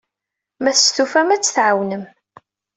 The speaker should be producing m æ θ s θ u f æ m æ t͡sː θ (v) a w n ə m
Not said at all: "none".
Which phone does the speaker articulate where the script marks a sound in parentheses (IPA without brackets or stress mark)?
ʕ